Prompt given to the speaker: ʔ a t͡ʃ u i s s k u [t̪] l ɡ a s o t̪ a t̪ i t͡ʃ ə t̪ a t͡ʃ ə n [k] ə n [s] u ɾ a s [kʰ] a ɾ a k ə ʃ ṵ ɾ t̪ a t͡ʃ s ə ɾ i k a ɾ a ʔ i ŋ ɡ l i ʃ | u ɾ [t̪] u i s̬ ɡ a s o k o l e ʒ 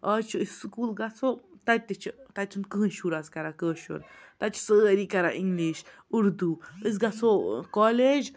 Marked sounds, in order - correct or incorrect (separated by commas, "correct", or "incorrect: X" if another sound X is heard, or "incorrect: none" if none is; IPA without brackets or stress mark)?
incorrect: none, correct, incorrect: ʃ, incorrect: k, incorrect: d̪